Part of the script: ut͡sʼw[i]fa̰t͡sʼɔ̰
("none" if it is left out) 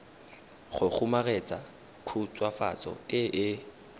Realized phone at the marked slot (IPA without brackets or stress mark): a